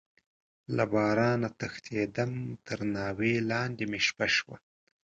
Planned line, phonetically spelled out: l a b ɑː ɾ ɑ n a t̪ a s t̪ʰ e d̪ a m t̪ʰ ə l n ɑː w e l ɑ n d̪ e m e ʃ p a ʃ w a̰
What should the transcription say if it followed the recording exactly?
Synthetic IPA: l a b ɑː ɾ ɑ n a t̪ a x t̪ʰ e d̪ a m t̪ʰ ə ɾ n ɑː w e l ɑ n d̪ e m e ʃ p a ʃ w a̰